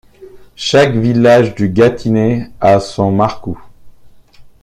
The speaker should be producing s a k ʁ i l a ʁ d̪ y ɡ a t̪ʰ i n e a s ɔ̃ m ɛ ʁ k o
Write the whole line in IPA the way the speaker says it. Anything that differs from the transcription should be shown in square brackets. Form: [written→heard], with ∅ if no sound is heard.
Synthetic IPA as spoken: [s→ʃ] a k [ʁ→v] i l a [ʁ→ʒ] d̪ y ɡ a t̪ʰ i n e a s ɔ̃ m [ɛ→a] ʁ k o